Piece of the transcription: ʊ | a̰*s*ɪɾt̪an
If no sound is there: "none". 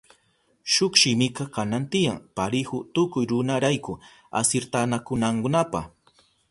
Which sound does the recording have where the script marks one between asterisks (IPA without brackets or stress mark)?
s